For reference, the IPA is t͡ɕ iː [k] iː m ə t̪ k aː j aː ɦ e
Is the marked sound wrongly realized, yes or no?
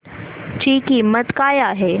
no